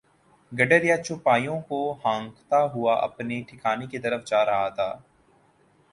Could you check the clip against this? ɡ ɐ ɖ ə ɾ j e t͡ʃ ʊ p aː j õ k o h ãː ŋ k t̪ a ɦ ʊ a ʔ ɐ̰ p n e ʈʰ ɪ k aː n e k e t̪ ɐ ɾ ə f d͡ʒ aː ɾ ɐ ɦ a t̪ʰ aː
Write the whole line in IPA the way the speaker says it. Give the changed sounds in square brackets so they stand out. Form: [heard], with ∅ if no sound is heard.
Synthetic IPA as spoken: ɡ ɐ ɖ ə ɾ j [a] t͡ʃ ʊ p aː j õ k o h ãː ŋ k t̪ a ɦ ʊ a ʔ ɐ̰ p n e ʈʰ ɪ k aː n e k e t̪ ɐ ɾ ə f d͡ʒ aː ɾ ɐ ɦ a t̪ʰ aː

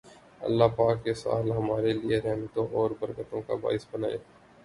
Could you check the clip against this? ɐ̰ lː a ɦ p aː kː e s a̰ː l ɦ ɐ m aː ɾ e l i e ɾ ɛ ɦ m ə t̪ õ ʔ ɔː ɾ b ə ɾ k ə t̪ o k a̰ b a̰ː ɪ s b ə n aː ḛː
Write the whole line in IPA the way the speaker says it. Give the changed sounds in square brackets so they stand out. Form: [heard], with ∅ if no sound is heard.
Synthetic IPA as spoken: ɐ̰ lː a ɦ p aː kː e s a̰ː l ɦ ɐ m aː ɾ e l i e ɾ ɛ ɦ m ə t̪ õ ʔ ɔː ɾ b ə ɾ k ə t̪ [õ] k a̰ b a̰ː ɪ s b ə n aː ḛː

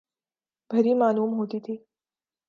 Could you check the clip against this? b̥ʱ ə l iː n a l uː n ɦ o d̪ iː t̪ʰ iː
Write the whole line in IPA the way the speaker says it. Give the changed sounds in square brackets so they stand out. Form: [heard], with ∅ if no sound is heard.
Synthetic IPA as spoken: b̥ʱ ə [ɾ] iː [m] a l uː [m] ɦ o [t̪] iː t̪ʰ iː

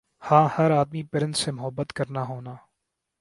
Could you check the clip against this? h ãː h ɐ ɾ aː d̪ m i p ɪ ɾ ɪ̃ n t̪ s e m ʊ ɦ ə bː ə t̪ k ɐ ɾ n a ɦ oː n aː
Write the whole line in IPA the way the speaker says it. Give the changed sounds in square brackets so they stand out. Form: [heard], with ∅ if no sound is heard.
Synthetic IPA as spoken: h ãː h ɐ ɾ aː d̪ m i p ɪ ɾ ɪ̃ n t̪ s e m ʊ ɦ ə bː ə t̪ k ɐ ɾ n a ɦ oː n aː

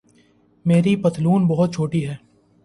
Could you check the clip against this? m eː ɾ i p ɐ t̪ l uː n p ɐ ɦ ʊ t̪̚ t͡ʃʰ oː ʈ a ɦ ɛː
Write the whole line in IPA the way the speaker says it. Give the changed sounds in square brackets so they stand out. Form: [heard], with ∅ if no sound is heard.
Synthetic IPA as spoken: m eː ɾ i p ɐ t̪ l uː n [b] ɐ ɦ ʊ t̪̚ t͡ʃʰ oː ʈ [i] ɦ ɛː

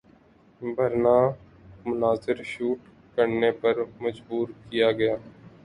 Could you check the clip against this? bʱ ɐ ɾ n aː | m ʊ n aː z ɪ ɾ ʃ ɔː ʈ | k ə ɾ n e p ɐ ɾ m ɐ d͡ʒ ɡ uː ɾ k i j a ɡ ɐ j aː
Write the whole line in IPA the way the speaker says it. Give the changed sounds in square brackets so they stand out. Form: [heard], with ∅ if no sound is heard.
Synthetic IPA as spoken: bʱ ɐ ɾ n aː | m ʊ n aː z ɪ ɾ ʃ [uː] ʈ | k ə ɾ n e p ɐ ɾ m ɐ d͡ʒ [b] uː ɾ k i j a ɡ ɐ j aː

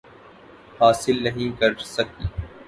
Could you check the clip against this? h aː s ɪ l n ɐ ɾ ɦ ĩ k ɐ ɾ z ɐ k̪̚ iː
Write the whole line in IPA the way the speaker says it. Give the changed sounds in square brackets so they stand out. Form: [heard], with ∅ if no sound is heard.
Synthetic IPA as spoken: h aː s ɪ l n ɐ [∅] ɦ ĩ k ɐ ɾ [s] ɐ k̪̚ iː

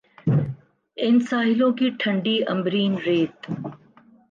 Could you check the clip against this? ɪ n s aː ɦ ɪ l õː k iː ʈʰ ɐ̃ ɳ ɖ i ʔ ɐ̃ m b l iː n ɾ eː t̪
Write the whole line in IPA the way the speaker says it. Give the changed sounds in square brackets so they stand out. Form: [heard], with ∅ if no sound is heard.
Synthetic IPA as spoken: ɪ n s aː ɦ ɪ l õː k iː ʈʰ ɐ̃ ɳ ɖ i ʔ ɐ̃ m b [ɾ] iː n ɾ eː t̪

